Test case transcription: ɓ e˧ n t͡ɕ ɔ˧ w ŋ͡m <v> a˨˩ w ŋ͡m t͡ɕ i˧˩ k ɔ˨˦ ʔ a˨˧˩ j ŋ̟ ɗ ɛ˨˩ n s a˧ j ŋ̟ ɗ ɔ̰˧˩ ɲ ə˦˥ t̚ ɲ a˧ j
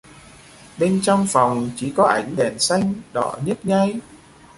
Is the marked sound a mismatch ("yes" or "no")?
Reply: yes